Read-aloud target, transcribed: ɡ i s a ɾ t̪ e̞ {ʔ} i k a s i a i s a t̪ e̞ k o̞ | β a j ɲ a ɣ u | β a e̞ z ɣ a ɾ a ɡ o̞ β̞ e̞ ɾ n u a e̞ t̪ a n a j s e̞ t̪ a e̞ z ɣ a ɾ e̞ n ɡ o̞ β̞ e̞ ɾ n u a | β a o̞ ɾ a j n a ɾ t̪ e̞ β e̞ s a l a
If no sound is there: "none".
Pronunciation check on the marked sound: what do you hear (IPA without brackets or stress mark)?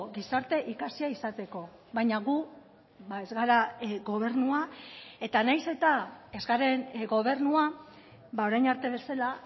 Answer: ʔ